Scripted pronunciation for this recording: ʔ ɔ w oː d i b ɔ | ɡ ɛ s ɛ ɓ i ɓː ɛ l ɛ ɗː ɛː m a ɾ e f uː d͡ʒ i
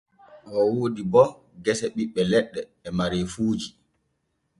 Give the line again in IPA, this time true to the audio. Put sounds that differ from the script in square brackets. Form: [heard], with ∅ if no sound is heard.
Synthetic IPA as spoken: ʔ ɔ w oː d i b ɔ | ɡ ɛ s ɛ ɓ i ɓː ɛ l ɛ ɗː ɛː m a ɾ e f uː d͡ʒ i